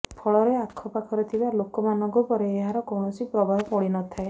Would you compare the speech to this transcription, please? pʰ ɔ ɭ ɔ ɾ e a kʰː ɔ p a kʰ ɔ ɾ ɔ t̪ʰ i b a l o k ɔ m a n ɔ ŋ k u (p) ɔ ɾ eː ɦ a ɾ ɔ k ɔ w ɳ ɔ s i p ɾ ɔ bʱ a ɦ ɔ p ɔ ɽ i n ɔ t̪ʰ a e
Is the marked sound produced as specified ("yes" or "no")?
yes